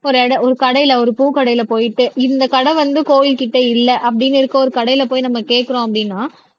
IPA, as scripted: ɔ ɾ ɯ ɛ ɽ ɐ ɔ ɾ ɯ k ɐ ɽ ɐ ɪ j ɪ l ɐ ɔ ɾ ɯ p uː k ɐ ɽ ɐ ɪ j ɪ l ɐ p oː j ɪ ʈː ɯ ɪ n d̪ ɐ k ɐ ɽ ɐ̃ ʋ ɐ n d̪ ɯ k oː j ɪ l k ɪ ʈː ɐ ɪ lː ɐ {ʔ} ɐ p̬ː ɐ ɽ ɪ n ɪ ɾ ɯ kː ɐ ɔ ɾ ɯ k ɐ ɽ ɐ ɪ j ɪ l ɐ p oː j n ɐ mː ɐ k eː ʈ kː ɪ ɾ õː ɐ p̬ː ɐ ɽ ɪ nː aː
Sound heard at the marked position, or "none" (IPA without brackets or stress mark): ʔ